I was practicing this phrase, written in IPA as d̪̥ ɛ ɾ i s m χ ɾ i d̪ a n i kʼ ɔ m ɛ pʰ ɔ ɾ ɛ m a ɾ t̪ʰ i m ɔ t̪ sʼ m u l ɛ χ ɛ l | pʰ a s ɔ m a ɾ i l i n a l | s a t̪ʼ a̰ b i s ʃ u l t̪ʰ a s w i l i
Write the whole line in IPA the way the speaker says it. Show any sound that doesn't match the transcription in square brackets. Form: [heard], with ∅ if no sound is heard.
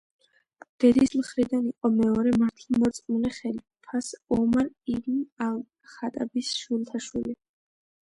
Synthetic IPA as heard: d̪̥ ɛ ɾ i s m χ ɾ i d̪ a n i [qʼ] ɔ m ɛ [∅] ɔ ɾ ɛ m a ɾ t̪ʰ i m ɔ t̪ sʼ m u l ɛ χ ɛ l | pʰ a s ɔ m a ɾ i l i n a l | [χ] a t̪ʼ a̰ b i s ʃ u l t̪ʰ a [ʃ] w i l i